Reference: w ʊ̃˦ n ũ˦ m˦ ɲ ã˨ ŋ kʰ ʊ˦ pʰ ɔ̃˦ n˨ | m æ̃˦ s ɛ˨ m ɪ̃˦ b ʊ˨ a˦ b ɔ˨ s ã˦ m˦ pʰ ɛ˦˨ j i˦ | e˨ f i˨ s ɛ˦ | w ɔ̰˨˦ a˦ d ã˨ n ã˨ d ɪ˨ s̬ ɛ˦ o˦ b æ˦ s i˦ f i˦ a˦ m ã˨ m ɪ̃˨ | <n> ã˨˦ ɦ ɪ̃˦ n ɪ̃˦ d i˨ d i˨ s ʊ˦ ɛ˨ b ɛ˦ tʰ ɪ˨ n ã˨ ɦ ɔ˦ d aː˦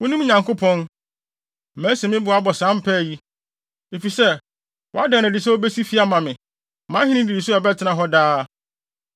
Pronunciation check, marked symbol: incorrect: m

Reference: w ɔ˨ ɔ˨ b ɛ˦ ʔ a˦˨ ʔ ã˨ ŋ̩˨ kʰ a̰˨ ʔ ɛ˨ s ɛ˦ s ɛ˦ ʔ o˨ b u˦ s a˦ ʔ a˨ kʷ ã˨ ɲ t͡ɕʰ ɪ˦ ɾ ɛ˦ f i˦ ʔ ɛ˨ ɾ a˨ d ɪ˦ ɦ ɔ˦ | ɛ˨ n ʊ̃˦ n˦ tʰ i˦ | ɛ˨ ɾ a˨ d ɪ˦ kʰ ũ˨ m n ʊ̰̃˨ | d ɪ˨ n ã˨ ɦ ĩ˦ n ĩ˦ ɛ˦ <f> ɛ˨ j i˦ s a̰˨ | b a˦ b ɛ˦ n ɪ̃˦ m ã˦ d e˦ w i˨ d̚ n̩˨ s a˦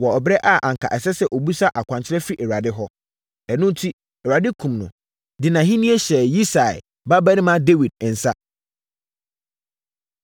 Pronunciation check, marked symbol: incorrect: ɕ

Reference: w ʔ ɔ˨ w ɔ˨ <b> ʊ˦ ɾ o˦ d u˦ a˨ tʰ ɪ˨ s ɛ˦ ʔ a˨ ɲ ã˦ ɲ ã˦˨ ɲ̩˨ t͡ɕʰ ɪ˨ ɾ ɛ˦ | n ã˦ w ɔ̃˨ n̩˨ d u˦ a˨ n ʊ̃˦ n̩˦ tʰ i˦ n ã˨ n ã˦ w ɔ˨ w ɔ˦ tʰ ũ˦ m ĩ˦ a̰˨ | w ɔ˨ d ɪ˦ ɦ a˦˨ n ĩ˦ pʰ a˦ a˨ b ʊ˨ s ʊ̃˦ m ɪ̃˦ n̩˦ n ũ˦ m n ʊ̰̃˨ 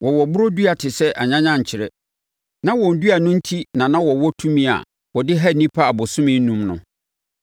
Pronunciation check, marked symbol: correct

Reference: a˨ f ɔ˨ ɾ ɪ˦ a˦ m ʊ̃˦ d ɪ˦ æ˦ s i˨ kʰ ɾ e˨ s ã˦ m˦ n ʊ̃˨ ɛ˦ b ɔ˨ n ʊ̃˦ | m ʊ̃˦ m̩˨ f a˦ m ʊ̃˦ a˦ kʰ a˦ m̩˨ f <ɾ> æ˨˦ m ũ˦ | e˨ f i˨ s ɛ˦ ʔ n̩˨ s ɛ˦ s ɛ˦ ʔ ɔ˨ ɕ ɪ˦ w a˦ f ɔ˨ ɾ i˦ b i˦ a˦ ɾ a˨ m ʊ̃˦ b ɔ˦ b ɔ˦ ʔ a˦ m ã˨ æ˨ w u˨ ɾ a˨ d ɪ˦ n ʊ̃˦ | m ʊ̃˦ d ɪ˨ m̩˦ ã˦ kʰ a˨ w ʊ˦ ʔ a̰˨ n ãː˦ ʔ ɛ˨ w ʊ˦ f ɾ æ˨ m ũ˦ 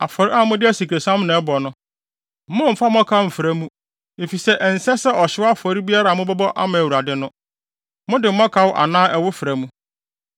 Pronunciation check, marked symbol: correct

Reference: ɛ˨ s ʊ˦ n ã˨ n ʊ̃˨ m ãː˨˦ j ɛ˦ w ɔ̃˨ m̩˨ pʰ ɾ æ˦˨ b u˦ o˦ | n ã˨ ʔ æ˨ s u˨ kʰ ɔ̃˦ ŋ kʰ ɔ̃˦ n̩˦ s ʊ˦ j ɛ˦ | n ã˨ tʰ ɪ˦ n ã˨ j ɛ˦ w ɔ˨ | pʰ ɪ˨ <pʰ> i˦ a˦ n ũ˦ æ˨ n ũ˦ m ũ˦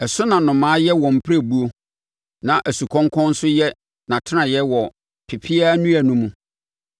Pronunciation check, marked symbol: correct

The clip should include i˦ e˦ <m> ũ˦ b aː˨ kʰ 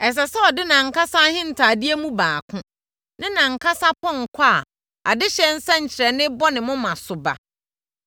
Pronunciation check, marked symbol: correct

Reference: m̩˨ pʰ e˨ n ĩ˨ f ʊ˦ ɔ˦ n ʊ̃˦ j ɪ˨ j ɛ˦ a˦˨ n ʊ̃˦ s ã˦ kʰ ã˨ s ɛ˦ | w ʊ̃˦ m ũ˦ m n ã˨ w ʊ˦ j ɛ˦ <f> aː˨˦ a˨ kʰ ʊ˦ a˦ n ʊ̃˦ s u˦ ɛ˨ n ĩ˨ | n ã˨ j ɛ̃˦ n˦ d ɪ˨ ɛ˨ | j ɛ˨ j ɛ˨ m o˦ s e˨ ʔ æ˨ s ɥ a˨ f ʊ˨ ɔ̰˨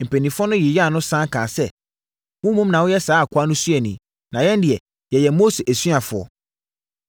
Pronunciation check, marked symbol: incorrect: s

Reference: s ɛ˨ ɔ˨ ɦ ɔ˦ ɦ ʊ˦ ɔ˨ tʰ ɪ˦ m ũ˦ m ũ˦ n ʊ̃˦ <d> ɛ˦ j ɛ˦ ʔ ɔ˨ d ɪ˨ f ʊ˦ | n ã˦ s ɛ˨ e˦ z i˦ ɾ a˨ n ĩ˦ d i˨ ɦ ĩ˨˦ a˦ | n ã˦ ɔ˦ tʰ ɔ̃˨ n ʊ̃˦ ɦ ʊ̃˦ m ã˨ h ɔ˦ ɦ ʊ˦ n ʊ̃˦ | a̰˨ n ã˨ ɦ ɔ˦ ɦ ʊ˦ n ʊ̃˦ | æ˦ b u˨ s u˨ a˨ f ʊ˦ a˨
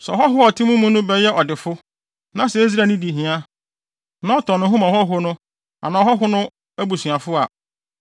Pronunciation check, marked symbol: incorrect: b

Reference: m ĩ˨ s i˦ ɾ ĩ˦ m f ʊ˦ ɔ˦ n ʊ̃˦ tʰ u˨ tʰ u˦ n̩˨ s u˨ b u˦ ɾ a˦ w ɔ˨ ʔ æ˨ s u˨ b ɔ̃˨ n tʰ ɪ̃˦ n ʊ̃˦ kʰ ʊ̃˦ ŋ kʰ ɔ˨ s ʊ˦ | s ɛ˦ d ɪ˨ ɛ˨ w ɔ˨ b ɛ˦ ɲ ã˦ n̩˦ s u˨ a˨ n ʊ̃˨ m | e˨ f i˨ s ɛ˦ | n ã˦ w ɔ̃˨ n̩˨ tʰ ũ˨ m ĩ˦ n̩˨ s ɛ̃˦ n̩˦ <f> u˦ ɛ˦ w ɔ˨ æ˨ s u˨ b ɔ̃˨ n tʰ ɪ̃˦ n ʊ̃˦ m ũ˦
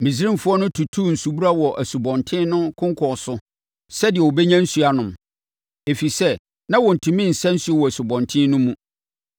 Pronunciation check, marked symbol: incorrect: s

